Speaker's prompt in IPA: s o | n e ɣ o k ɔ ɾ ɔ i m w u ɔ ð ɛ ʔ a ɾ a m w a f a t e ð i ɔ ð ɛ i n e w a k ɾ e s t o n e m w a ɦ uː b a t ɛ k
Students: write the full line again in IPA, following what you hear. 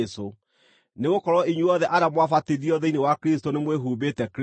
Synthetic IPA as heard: s o | n e ɣ o k ɔ ɾ ɔ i ɲ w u ɔ ð ɛ ʔ a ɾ a m w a f a t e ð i ɔ ð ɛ i n e w a k ɾ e s t o n e m w e ɦ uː b e t ɛ k